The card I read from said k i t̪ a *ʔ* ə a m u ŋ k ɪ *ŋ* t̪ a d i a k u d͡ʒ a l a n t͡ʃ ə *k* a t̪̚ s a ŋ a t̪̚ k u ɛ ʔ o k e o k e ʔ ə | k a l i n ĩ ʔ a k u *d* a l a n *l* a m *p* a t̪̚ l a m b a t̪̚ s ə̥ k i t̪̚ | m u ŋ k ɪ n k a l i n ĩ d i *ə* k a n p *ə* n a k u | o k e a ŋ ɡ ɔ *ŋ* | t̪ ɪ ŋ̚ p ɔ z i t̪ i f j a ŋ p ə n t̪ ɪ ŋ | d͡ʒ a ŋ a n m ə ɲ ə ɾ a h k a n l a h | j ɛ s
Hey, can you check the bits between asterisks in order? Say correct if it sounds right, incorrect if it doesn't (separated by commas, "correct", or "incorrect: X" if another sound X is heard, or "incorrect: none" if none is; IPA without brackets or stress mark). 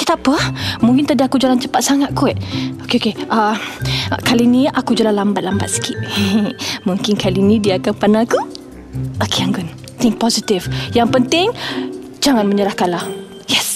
incorrect: p, incorrect: n, incorrect: p, incorrect: d͡ʒ, correct, incorrect: b, incorrect: a, incorrect: a, incorrect: n